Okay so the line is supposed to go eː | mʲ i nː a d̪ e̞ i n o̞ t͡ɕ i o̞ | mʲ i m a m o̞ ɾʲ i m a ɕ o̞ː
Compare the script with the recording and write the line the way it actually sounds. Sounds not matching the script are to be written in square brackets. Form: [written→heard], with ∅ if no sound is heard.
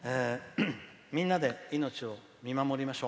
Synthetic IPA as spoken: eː | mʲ [i→ĩ] nː a d̪ e̞ i n o̞ t͡ɕ i o̞ | mʲ i m a m o̞ ɾʲ i m a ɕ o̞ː